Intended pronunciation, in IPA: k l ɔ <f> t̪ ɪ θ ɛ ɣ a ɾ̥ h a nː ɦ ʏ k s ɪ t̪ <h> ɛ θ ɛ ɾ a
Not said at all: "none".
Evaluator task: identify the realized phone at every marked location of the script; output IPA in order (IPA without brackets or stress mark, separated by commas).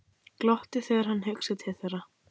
h, h